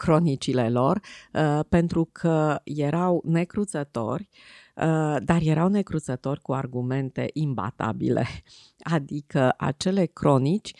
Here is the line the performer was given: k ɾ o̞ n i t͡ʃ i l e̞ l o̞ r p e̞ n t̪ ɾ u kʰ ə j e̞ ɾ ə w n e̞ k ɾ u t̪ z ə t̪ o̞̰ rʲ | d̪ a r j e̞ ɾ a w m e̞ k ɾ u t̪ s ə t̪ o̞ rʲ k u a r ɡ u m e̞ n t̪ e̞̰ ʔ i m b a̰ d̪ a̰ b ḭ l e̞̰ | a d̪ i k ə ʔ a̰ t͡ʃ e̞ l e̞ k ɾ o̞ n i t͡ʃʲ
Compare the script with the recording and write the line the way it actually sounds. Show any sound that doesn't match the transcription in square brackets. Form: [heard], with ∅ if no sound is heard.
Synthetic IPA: k ɾ o̞ n i t͡ʃ i l e̞ l o̞ r p e̞ n t̪ ɾ u kʰ ə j e̞ ɾ [a] w n e̞ k ɾ u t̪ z ə t̪ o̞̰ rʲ | d̪ a r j e̞ ɾ a w [n] e̞ k ɾ u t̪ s ə t̪ o̞ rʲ k u a r ɡ u m e̞ n t̪ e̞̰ ʔ i m b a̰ [t̪] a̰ b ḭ l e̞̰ | a d̪ i k ə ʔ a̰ t͡ʃ e̞ l e̞ k ɾ o̞ n i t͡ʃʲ